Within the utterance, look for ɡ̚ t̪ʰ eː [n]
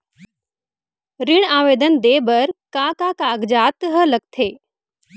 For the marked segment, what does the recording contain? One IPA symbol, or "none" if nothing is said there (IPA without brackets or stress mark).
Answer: none